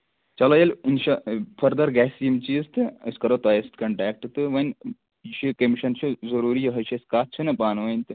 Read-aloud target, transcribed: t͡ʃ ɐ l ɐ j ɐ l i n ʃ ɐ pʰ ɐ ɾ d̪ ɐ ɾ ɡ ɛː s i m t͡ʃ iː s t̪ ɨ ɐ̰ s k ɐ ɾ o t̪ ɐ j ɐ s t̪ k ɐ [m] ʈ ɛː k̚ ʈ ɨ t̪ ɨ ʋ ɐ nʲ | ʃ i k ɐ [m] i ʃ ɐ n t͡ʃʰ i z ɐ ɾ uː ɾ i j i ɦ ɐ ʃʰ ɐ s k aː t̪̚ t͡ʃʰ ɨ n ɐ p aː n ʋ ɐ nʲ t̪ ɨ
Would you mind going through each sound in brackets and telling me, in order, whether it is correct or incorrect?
incorrect, correct

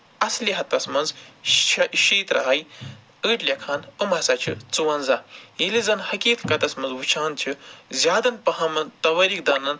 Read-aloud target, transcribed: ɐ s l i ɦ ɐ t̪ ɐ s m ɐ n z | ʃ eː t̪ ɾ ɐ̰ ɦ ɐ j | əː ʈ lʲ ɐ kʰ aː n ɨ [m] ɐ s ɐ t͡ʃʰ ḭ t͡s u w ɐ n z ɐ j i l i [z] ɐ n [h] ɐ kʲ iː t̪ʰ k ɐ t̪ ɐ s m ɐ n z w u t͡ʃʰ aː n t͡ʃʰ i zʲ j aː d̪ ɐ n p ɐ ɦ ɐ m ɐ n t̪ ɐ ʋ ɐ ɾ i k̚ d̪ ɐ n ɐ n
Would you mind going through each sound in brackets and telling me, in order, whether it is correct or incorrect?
correct, correct, correct

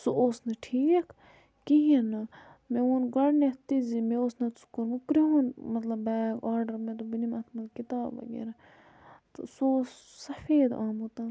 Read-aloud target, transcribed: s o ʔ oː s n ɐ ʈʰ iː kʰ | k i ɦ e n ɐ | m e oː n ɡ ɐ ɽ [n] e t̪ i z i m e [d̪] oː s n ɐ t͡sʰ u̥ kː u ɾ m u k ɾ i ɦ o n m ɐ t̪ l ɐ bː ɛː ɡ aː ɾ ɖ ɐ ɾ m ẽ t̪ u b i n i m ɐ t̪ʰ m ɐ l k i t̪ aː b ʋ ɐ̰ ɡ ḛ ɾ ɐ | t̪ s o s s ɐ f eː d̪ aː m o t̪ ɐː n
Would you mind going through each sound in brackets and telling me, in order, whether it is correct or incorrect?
correct, incorrect

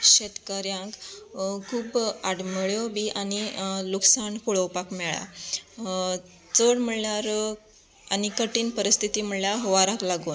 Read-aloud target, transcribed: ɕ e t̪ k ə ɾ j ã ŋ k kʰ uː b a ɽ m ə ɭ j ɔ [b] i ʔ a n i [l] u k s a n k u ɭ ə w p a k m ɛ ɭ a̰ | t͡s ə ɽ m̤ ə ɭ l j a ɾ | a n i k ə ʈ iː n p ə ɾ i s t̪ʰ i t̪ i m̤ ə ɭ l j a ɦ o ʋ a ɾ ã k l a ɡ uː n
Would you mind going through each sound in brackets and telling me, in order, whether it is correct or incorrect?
correct, correct

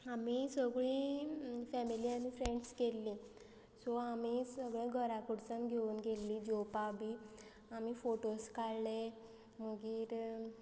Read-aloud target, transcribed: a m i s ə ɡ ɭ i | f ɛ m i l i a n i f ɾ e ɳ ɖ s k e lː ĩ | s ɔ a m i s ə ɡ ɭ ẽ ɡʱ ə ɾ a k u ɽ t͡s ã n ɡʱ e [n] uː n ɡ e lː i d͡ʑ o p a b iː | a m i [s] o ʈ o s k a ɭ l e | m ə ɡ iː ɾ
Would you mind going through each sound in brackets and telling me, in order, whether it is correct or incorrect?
incorrect, incorrect

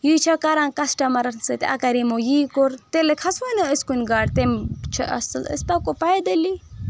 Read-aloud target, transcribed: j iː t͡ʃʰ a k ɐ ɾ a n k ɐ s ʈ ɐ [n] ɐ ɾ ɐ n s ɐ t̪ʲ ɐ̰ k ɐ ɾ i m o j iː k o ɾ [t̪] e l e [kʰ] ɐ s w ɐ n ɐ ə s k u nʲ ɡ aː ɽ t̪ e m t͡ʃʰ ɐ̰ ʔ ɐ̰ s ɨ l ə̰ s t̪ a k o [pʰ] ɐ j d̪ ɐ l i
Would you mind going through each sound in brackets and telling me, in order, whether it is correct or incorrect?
incorrect, correct, correct, incorrect

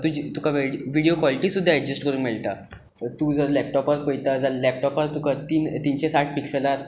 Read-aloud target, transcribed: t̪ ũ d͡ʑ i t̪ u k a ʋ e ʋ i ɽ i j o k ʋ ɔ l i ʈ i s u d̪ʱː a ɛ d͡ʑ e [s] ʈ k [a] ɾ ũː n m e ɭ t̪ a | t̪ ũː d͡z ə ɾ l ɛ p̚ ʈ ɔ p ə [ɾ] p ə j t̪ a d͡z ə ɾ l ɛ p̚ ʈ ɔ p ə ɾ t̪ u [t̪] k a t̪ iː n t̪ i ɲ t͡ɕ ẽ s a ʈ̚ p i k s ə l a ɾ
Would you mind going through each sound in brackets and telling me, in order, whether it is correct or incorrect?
correct, incorrect, correct, incorrect

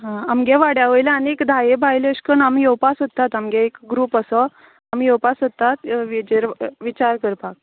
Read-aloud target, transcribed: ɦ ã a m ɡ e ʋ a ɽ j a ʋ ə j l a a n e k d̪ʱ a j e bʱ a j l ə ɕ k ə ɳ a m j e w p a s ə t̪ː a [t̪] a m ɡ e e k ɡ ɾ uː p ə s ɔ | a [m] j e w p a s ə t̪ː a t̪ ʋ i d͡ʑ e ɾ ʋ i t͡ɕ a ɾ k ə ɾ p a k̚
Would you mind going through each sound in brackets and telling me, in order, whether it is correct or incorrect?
correct, correct

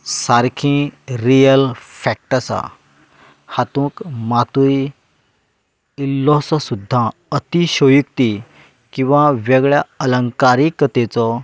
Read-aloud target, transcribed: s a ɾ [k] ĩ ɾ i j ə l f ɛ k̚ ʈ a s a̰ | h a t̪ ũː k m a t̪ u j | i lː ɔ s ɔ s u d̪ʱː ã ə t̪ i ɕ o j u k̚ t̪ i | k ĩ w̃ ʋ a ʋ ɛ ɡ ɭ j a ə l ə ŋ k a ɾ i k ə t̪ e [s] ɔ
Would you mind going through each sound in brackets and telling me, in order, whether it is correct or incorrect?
incorrect, incorrect

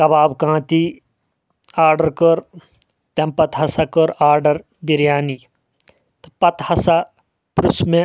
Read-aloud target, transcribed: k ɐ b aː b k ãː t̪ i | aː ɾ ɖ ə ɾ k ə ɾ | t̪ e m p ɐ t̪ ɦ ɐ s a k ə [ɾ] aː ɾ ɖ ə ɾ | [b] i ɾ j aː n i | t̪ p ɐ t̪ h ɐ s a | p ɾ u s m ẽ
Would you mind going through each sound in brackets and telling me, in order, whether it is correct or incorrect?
correct, correct

